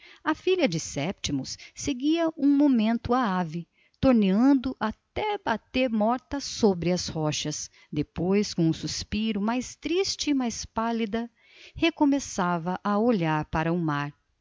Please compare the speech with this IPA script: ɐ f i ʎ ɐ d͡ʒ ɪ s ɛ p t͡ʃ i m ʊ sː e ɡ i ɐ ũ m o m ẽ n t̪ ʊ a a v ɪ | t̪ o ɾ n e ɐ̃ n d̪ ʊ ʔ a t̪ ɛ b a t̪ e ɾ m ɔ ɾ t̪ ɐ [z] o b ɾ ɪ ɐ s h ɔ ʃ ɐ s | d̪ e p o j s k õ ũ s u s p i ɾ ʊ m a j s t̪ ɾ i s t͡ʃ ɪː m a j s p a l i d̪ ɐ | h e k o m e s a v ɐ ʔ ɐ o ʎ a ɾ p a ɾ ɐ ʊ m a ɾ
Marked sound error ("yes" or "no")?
yes